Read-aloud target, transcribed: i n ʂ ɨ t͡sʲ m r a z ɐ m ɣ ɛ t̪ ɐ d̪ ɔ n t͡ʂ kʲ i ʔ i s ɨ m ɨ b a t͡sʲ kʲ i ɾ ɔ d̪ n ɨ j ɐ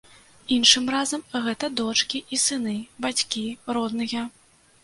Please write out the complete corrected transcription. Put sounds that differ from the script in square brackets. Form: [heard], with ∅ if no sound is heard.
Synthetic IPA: i n ʂ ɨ [∅] m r a z ɐ m ɣ ɛ t̪ ɐ d̪ ɔ [∅] t͡ʂ kʲ i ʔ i s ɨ [n] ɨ b a t͡sʲ kʲ i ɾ ɔ d̪ n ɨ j ɐ